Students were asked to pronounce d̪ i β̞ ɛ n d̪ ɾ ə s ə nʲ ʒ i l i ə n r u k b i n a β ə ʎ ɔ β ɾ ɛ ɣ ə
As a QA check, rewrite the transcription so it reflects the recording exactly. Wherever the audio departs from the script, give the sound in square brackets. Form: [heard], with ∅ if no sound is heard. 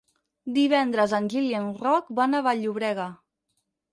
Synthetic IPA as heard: d̪ i β̞ ɛ n d̪ ɾ ə [z] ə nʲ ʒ i l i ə n r [ɔ] k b [a] n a β [a] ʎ [u] β ɾ ɛ ɣ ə